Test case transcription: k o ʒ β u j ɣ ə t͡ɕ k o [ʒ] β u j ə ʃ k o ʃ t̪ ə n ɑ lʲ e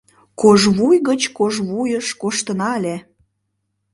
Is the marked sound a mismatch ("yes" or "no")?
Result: no